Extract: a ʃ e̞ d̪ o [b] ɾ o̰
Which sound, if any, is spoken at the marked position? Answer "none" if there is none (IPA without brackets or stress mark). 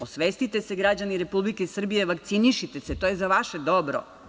b